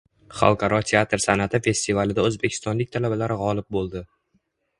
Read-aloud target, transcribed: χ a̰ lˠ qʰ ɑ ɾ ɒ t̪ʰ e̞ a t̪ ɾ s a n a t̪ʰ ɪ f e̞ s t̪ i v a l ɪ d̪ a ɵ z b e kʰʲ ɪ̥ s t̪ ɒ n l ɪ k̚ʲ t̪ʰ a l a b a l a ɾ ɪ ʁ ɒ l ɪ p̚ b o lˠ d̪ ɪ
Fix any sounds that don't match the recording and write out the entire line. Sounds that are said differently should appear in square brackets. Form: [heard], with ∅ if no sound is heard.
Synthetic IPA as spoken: χ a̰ lˠ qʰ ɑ ɾ ɒ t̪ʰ e̞ a t̪ ɾ s a n a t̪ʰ ɪ f e̞ s t̪ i v a l ɪ d̪ a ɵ z b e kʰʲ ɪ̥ s t̪ ɒ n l ɪ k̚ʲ t̪ʰ a l a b a l a ɾ ɪ ʁ ɒ l ɪ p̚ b o lˠ d̪ ɪ